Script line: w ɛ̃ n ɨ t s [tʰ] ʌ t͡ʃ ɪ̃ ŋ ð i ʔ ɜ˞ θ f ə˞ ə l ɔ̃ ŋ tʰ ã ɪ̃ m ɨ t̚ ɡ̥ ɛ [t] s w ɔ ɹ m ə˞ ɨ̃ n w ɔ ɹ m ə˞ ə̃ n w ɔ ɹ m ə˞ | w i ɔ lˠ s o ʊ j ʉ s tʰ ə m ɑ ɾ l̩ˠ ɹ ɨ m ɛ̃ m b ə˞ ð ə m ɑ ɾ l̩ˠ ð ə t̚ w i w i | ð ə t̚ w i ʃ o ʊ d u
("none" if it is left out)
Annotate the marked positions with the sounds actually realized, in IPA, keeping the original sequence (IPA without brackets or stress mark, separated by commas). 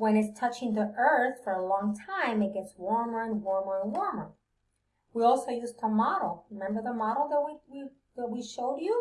tʰ, t